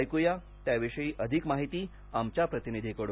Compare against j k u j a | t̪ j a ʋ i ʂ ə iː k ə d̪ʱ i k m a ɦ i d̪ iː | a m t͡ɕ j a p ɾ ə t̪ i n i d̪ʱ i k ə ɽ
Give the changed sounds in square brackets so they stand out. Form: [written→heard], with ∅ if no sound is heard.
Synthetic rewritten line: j k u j a | t̪ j a ʋ i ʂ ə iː [k→ʔ] ə d̪ʱ i k m a ɦ i [d̪→t̪] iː | a m t͡ɕ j a p ɾ ə t̪ i n i d̪ʱ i k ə ɽ